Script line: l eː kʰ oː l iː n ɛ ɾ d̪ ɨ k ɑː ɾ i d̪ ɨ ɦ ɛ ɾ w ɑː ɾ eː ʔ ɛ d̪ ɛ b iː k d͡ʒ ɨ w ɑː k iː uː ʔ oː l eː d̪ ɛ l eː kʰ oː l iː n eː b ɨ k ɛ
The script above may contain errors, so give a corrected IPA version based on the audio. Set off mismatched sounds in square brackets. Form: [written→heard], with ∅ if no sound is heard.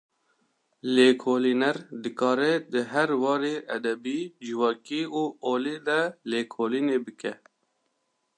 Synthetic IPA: l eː kʰ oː l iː n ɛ ɾ d̪ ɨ k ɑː ɾ [i→ɛ] d̪ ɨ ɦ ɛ ɾ w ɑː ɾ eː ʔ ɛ d̪ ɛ b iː [k→∅] d͡ʒ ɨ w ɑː k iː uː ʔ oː l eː d̪ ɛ l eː kʰ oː l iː n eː b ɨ k ɛ